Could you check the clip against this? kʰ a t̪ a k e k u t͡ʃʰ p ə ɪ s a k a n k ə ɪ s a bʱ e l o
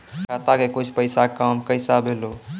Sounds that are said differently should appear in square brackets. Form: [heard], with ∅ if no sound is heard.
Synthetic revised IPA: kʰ a t̪ a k e k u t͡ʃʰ p ə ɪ s a k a [m] k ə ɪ s a bʱ e l o